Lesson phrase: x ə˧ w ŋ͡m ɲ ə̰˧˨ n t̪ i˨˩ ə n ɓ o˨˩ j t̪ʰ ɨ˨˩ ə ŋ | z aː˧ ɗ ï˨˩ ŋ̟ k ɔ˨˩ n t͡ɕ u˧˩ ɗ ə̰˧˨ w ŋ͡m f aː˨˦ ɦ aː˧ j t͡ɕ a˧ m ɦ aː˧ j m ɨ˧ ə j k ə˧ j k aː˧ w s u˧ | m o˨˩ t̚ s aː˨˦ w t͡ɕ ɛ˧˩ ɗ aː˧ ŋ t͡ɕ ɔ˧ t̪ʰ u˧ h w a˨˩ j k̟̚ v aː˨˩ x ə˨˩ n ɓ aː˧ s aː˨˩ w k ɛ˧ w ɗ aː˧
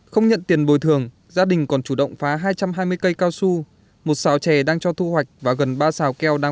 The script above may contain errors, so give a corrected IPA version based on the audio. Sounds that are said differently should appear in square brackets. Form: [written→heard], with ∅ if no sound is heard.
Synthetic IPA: x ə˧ w ŋ͡m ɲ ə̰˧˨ n t̪ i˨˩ ə n ɓ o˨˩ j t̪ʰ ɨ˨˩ ə ŋ | z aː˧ ɗ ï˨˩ ŋ̟ k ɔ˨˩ n t͡ɕ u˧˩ ɗ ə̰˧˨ w ŋ͡m f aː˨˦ ɦ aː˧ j t͡ɕ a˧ m ɦ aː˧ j m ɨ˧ ə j k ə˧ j k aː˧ w s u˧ | m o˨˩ t̚ s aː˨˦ w t͡ɕ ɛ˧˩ ɗ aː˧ ŋ t͡ɕ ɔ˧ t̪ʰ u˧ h w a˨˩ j k̟̚ v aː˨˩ [x→ɣ] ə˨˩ n ɓ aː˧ s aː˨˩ w k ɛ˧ w ɗ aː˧